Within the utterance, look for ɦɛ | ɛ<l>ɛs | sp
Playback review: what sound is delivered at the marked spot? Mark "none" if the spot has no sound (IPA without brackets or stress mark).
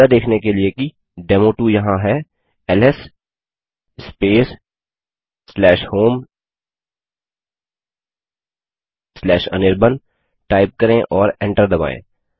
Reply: l